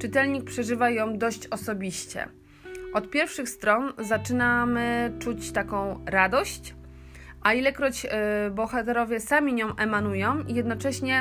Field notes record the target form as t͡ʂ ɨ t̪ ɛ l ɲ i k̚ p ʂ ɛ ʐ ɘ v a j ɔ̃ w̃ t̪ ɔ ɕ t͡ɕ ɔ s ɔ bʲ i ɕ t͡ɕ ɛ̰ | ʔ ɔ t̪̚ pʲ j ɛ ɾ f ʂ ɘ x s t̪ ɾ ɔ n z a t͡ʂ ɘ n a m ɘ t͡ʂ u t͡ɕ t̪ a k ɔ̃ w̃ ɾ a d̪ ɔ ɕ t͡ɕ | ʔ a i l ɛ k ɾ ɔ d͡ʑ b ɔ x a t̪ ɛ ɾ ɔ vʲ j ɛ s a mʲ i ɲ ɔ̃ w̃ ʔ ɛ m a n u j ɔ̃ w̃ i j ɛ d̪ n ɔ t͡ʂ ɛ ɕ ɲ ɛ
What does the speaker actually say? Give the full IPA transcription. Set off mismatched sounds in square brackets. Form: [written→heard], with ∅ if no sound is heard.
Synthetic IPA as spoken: t͡ʂ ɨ t̪ ɛ l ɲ i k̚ p ʂ ɛ ʐ ɘ v a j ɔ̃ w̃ [t̪→d̪] ɔ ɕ t͡ɕ ɔ s ɔ bʲ i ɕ t͡ɕ ɛ̰ | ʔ ɔ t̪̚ pʲ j ɛ ɾ f ʂ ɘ x s t̪ ɾ ɔ n z a t͡ʂ ɘ n a m ɘ t͡ʂ u t͡ɕ t̪ a k ɔ̃ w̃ ɾ a d̪ ɔ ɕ t͡ɕ | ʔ a i l ɛ k ɾ ɔ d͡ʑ b ɔ x a t̪ ɛ ɾ ɔ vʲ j ɛ s a mʲ i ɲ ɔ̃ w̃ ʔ ɛ m a n u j ɔ̃ w̃ i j ɛ d̪ n ɔ t͡ʂ ɛ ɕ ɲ ɛ